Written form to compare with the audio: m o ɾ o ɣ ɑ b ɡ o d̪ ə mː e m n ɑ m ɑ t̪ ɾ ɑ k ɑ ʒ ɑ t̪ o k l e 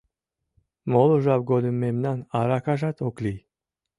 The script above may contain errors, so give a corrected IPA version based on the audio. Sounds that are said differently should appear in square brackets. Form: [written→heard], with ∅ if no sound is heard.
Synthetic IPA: m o [ɾ→l] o [ɣ→ʒ] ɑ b ɡ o d̪ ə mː e m n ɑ [m→n] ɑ [t̪→∅] ɾ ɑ k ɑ ʒ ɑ t̪ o k l [e→i]